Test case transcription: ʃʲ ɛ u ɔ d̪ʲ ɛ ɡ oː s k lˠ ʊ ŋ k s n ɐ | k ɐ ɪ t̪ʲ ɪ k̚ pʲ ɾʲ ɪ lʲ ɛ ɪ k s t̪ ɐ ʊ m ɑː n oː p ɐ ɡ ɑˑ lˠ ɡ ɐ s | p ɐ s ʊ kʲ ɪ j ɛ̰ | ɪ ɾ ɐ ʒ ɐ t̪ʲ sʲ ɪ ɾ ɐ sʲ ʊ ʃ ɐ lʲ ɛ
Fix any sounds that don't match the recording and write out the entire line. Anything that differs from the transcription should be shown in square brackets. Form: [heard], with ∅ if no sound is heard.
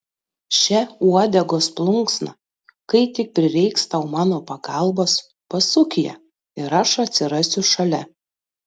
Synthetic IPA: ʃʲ ɛ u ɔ d̪ʲ ɛ ɡ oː s [p] lˠ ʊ ŋ k s n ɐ | k ɐ ɪ t̪ʲ ɪ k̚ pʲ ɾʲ ɪ [ɾʲ] ɛ ɪ k s t̪ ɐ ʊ m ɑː n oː p ɐ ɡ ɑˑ lˠ [b] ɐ s | p ɐ s ʊ kʲ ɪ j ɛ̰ | ɪ ɾ ɐ [ʃ] ɐ t̪ʲ sʲ ɪ ɾ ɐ sʲ ʊ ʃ ɐ lʲ ɛ